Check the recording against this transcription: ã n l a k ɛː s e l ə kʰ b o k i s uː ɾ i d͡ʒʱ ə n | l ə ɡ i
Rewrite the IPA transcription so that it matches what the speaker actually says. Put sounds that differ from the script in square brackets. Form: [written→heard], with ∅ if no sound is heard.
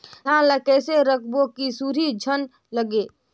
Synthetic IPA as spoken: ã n l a k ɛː s e [l→ɾ] ə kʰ b o k i s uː ɾ i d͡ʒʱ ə n | l ə ɡ [i→e]